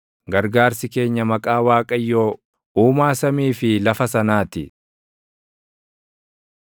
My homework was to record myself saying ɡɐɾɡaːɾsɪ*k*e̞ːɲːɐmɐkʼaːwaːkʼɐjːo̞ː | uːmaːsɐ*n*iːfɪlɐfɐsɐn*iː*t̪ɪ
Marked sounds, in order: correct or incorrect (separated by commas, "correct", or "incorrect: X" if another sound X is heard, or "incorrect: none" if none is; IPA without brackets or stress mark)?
correct, incorrect: m, incorrect: aː